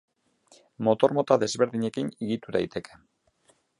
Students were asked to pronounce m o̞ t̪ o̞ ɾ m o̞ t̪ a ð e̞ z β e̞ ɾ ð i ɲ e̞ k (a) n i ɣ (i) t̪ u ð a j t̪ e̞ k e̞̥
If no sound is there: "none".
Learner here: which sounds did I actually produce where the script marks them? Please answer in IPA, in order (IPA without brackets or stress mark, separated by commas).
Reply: i, i